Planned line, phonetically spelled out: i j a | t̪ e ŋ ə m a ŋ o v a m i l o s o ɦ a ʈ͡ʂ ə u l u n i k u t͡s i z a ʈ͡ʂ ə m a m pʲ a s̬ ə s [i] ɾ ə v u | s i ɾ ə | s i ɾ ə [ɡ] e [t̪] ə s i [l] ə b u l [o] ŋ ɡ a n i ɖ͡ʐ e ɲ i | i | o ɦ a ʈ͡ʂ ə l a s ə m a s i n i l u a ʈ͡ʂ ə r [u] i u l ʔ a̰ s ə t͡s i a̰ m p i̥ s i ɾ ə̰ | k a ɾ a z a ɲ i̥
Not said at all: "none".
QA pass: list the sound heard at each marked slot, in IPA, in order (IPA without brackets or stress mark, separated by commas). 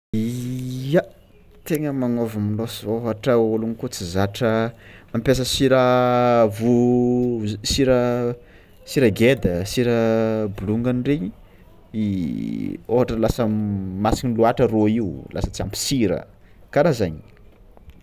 i, ɡ, d̪, ɾ, u, o